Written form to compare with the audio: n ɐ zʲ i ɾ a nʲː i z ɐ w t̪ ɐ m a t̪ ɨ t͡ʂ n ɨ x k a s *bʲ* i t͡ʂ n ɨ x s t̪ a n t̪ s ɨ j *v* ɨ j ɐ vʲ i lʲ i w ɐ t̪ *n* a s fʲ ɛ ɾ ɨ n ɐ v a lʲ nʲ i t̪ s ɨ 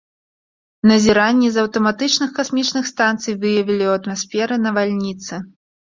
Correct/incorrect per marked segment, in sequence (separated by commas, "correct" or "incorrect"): incorrect, correct, incorrect